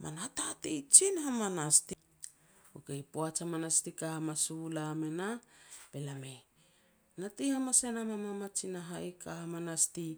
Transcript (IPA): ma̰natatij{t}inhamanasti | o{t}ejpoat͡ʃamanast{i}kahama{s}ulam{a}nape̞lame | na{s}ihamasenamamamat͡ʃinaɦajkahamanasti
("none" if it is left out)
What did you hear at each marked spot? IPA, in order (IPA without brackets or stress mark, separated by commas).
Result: t͡ʃ, k, i, s, e, t